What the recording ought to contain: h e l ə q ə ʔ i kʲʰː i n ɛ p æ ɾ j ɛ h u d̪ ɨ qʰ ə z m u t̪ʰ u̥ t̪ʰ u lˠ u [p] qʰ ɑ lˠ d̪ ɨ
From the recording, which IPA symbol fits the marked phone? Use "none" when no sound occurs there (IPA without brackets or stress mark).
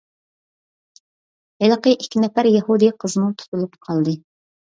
p